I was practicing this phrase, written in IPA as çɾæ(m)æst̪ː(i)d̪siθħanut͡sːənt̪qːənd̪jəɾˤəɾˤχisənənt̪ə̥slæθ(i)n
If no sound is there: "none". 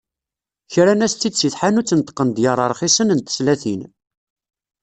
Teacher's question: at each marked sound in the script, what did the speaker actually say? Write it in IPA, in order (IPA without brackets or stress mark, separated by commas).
n, i, i